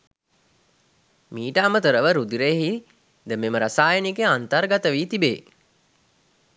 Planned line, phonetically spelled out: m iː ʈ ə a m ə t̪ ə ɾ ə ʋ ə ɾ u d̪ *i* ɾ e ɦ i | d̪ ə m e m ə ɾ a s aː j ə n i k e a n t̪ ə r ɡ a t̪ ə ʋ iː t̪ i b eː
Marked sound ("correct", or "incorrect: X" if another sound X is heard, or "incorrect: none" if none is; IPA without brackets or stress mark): correct